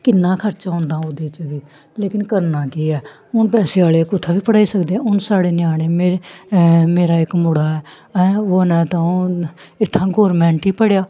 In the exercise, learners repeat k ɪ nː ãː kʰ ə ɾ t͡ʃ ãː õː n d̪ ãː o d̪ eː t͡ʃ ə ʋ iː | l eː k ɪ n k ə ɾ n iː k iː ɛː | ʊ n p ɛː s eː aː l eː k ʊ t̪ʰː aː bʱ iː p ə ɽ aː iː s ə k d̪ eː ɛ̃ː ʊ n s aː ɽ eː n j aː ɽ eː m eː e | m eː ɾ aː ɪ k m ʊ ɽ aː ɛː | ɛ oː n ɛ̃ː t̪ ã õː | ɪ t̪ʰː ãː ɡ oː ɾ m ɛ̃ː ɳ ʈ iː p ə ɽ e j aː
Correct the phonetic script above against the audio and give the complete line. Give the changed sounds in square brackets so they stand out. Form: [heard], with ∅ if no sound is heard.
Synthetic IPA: k ɪ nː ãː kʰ ə ɾ t͡ʃ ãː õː n d̪ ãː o d̪ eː t͡ʃ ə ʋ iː | l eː k ɪ n k ə ɾ n [aː] k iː ɛː | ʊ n p ɛː s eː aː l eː k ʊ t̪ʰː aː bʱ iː p ə ɽ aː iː s ə k d̪ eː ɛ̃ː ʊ n s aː ɽ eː n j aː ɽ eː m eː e | m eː ɾ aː ɪ k m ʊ ɽ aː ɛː | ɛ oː n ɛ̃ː t̪ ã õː | ɪ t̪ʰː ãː ɡ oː ɾ m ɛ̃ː ɳ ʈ iː p ə ɽ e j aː